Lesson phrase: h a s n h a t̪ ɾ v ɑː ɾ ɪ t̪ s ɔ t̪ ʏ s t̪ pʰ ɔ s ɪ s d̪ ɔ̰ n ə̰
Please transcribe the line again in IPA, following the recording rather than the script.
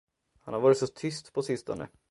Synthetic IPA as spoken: h a n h a ɾ v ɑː ɾ ɪ t̪ s ɔ t̪ʰ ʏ s t̪ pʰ ɔ s ɪ s t̪ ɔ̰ n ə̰